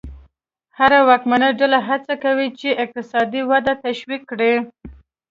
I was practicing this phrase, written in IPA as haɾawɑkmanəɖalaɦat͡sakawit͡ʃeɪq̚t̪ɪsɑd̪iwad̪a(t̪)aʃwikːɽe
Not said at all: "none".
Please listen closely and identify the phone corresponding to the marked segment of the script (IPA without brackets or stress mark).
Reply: t̪